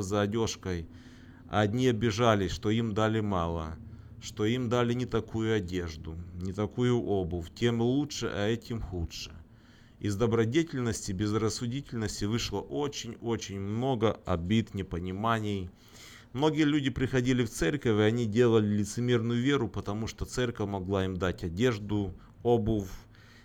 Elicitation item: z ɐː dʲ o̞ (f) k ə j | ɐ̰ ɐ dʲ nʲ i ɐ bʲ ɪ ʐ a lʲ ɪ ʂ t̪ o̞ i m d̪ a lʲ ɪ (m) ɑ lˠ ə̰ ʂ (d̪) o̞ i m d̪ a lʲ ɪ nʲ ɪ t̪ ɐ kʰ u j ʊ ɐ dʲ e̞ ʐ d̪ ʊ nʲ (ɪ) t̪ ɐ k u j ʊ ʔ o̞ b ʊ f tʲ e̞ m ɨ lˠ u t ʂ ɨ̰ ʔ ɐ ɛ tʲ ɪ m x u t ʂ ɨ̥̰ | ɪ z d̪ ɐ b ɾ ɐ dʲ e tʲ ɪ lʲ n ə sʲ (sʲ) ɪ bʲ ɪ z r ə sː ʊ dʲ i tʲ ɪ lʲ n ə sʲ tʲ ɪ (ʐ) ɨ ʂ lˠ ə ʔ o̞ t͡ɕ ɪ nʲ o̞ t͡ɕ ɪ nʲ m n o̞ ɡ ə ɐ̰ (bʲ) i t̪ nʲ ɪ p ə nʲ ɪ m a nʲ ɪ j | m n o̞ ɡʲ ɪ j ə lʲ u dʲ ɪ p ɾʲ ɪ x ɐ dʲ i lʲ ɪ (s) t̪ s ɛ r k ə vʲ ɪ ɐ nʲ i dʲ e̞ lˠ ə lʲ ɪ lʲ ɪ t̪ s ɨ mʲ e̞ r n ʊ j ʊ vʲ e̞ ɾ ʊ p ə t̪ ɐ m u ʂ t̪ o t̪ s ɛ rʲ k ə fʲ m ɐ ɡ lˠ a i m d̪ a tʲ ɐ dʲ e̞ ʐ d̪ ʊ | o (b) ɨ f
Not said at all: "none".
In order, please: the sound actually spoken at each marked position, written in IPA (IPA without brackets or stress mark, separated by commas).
ʂ, m, t̪, ɪ, tʲ, v, bʲ, f, b